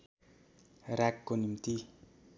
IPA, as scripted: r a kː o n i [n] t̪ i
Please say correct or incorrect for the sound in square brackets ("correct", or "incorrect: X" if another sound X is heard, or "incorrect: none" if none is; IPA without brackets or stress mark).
incorrect: m